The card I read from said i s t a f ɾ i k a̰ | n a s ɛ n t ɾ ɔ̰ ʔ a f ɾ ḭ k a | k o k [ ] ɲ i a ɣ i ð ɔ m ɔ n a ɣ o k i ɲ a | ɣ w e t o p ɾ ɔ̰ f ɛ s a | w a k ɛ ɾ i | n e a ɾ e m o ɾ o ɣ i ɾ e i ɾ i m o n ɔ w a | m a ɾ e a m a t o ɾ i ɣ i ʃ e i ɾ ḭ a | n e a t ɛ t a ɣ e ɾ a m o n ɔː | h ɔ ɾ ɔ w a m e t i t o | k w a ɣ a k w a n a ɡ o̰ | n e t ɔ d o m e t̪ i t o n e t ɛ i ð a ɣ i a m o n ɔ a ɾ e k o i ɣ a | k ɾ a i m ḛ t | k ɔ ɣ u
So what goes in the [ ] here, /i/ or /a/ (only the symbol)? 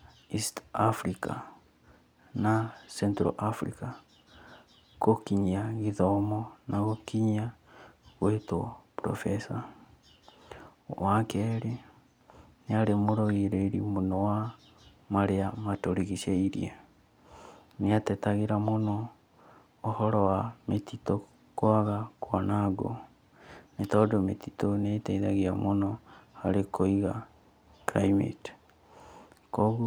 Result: i